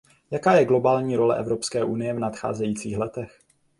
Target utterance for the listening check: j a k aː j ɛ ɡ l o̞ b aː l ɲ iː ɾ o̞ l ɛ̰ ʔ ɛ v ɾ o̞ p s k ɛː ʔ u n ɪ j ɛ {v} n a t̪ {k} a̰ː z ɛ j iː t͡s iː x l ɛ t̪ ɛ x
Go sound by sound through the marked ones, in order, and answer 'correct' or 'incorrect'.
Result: correct, incorrect: x

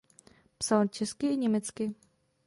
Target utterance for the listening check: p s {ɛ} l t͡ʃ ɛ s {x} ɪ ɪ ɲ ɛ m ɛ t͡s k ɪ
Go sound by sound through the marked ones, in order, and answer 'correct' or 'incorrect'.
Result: incorrect: a, incorrect: k

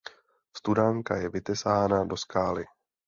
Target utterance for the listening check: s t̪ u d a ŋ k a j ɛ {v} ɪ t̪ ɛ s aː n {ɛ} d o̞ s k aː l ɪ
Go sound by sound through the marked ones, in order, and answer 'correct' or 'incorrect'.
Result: correct, incorrect: a

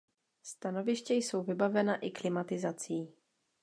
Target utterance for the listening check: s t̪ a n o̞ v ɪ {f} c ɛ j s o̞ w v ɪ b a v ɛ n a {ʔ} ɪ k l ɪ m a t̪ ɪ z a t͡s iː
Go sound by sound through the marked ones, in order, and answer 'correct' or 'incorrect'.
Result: incorrect: ʃ, correct

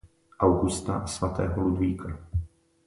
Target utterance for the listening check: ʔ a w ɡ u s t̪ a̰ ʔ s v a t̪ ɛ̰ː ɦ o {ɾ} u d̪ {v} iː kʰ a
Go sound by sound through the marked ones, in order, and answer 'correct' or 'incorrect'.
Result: incorrect: l, correct

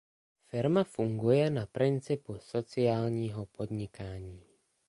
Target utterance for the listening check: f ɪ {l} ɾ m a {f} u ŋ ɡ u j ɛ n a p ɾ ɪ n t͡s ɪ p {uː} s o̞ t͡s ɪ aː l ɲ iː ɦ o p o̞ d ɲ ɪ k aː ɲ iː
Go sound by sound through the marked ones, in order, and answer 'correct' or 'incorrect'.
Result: incorrect: none, correct, incorrect: u

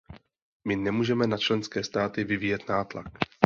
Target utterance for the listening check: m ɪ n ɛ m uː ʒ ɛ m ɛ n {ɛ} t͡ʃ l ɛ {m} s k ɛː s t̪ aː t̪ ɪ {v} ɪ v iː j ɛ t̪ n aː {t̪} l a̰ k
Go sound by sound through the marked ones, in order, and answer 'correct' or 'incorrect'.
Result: incorrect: a, incorrect: n, correct, correct

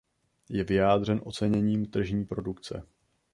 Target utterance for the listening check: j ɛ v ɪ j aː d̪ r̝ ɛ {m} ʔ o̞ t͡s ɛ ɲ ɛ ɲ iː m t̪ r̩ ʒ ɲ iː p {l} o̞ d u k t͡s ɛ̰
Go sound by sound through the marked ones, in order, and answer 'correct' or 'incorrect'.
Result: incorrect: n, incorrect: ɾ

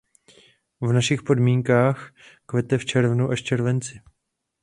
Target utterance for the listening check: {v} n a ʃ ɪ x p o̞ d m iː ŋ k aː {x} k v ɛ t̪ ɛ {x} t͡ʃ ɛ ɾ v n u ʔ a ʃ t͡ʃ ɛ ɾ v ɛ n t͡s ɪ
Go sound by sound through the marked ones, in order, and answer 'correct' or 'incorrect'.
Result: correct, correct, incorrect: f

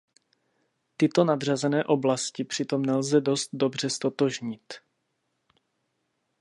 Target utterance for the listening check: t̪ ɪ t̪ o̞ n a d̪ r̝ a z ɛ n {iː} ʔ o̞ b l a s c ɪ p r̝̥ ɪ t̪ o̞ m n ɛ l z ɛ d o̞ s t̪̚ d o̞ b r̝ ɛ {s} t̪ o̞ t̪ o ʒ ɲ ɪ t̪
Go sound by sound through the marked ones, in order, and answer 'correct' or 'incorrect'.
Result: incorrect: ɛː, correct

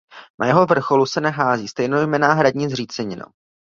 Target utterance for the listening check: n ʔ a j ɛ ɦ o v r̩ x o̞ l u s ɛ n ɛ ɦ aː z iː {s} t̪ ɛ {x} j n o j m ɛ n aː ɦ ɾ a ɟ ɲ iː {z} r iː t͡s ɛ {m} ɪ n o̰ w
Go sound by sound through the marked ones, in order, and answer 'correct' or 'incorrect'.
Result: correct, incorrect: none, correct, incorrect: ɲ

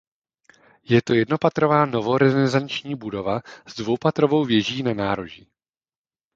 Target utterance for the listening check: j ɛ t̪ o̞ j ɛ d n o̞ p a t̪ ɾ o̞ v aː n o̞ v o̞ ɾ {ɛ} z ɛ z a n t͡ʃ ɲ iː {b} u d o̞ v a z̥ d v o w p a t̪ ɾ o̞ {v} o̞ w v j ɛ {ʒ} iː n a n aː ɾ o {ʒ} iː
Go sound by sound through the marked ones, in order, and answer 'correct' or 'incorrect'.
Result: correct, correct, correct, correct, correct

